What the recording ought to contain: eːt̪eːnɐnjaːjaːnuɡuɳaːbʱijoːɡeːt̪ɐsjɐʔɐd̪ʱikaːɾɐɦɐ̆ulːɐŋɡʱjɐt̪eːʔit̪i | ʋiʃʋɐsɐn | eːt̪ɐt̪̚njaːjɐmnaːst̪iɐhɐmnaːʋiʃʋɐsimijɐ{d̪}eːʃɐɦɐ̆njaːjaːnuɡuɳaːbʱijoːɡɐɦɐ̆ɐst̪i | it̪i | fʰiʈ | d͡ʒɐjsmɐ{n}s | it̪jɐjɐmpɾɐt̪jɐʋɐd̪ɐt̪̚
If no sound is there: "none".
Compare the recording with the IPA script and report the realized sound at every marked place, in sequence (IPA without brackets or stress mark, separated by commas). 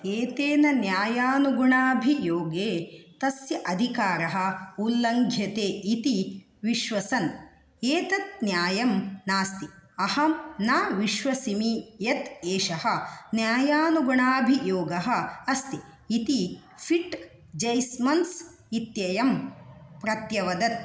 t̪, n